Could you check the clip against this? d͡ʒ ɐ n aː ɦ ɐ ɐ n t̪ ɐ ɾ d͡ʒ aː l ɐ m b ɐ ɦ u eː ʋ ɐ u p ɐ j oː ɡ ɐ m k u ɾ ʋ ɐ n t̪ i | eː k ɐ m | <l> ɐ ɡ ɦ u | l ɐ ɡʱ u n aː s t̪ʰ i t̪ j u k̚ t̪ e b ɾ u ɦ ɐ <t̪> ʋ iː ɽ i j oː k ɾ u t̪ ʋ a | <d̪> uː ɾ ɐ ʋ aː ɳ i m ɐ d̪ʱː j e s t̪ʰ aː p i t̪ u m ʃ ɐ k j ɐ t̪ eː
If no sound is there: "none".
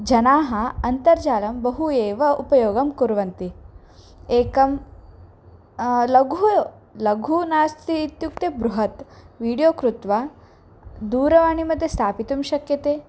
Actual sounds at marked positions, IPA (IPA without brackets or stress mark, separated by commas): l, t̪, d̪